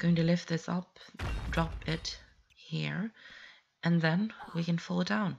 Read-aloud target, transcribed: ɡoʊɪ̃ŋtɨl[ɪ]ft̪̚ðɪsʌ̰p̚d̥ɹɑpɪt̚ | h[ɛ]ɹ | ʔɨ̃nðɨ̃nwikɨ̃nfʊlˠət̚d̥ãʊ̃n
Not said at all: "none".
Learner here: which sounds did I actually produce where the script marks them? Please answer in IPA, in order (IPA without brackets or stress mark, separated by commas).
ɪ, i